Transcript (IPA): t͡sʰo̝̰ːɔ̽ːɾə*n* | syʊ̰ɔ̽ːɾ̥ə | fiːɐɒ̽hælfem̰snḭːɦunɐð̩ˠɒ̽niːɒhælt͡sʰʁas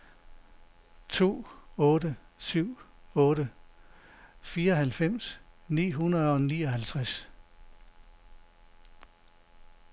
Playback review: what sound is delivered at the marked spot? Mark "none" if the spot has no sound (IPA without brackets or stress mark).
none